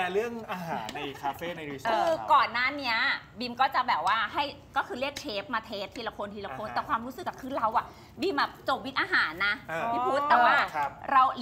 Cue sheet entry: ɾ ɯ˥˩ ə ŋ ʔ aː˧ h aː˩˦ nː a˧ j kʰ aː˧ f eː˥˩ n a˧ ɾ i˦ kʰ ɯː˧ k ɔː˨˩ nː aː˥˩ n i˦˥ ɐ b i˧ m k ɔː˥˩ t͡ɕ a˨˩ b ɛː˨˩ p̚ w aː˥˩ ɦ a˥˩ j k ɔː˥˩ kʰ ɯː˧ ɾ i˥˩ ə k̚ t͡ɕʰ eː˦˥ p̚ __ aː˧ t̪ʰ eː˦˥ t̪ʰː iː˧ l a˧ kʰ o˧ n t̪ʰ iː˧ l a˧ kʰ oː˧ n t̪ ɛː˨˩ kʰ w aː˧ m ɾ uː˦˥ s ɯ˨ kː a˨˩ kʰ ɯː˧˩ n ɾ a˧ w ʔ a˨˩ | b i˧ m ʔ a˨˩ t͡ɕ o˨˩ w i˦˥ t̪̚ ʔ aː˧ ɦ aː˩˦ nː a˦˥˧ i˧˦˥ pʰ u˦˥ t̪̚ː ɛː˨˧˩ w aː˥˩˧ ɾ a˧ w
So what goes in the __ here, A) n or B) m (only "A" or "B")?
B